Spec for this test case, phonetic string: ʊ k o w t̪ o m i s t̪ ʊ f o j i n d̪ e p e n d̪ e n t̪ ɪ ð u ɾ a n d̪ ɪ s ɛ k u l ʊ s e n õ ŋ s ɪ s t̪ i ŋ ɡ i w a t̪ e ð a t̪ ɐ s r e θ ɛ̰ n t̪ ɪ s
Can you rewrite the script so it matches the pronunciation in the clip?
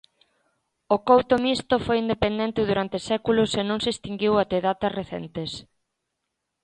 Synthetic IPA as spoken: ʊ k o w t̪ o m i s t̪ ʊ f o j i n d̪ e p e n d̪ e n t̪ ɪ ð u ɾ a n t̪ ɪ s ɛ k u l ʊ s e n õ ŋ s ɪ s t̪ i ŋ ɡ i w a t̪ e ð a t̪ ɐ s r e θ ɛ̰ n t̪ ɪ s